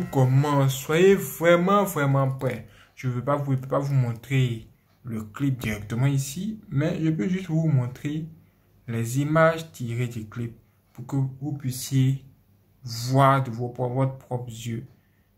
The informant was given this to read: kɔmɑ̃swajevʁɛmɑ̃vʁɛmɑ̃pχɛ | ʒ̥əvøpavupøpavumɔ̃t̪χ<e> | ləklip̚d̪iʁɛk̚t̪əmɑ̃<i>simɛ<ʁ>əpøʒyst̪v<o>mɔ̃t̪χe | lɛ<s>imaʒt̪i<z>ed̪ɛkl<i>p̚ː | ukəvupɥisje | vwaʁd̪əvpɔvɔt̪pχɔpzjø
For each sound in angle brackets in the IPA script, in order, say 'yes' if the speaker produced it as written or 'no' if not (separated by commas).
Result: yes, yes, no, no, no, no, yes